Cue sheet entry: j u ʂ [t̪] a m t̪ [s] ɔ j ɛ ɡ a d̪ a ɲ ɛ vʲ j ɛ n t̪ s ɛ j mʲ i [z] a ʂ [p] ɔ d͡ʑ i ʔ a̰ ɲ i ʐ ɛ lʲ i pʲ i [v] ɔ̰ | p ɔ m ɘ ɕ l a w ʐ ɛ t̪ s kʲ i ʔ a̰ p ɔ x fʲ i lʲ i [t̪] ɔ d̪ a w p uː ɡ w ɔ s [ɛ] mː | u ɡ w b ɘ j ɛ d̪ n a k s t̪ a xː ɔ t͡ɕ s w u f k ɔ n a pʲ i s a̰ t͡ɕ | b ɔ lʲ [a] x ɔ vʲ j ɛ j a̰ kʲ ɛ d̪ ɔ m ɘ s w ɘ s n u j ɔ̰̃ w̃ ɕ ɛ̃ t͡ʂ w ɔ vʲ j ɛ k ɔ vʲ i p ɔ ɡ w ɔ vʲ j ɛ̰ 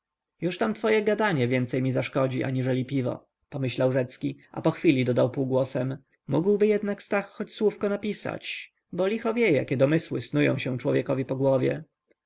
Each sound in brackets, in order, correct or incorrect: correct, incorrect: f, correct, incorrect: k, correct, incorrect: d̪, correct, incorrect: i

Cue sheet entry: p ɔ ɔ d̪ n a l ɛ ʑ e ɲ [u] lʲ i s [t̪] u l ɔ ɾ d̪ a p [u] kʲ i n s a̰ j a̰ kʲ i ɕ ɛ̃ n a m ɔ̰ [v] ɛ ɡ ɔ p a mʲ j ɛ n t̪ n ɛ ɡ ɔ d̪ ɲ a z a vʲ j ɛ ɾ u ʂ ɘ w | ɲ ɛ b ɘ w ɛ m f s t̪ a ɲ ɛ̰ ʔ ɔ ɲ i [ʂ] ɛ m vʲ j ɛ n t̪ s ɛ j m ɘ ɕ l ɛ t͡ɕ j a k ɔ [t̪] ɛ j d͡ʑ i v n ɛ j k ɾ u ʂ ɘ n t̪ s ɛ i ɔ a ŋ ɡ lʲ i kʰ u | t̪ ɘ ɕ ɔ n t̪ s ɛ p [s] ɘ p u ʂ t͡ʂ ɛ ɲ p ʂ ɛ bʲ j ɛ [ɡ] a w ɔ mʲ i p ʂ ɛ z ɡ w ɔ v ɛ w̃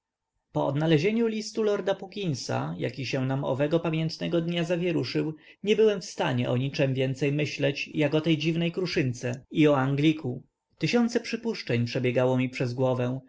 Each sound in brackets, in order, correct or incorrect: correct, correct, correct, correct, incorrect: t͡ʂ, correct, incorrect: ʂ, correct

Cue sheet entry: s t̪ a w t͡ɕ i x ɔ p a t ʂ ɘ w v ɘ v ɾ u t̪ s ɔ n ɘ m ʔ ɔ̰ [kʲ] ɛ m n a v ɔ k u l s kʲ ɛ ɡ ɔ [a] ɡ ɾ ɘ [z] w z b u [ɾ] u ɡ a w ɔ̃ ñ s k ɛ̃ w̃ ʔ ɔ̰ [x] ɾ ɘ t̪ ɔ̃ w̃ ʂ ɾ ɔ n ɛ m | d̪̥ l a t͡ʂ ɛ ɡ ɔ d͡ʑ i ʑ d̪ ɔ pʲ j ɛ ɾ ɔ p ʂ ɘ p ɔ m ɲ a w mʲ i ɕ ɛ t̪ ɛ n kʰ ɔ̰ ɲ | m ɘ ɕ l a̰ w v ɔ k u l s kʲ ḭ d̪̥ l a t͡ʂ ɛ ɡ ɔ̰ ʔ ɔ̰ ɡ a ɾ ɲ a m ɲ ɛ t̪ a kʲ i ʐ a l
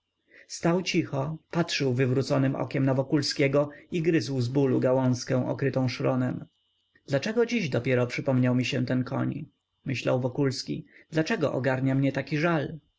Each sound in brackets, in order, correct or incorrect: correct, incorrect: i, correct, incorrect: l, incorrect: k

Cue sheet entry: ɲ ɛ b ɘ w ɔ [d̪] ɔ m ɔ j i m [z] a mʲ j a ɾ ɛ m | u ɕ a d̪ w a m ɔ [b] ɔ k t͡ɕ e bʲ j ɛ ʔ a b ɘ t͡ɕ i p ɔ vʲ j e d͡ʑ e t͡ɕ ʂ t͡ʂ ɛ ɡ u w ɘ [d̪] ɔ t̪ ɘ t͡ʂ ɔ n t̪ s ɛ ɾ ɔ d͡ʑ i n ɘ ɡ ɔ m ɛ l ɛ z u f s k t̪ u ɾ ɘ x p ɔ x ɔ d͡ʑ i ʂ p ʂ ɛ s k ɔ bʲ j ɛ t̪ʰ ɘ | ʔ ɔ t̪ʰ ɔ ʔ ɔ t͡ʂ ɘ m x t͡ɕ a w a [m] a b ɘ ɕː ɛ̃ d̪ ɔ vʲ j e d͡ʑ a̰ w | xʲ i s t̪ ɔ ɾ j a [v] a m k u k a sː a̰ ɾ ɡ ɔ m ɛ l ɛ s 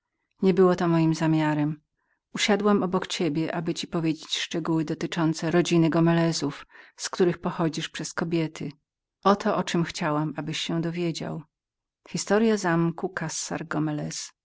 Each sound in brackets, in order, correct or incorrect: incorrect: t̪, correct, correct, correct, correct, incorrect: z

